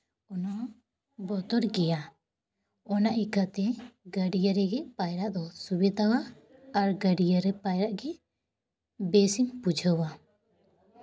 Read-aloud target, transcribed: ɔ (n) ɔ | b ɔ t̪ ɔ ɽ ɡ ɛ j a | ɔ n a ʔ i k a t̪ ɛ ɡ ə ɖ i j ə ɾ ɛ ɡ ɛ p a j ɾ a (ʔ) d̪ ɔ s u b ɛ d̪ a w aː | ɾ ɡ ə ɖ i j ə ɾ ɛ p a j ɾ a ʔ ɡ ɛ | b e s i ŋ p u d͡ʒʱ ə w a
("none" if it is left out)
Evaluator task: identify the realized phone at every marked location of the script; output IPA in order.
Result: n, ʔ

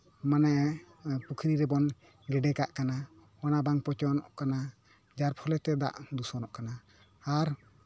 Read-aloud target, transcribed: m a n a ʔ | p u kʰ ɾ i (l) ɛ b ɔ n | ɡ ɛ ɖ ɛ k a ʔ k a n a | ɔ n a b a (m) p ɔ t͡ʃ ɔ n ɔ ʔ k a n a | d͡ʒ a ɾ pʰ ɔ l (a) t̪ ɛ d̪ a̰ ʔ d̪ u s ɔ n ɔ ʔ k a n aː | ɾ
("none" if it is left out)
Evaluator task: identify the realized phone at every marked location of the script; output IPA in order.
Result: ɾ, ŋ, ɛ

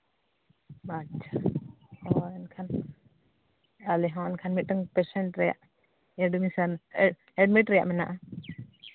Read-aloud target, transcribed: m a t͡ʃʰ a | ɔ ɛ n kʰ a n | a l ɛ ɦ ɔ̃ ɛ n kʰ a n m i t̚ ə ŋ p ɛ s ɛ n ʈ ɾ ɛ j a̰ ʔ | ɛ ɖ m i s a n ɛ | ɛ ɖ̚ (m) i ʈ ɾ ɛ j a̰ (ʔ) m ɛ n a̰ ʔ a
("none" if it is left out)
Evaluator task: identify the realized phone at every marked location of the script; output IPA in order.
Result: m, ʔ

